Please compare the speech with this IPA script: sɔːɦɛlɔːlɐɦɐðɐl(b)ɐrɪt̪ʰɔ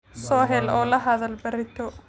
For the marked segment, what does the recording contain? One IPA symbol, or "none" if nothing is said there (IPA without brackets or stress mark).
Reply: b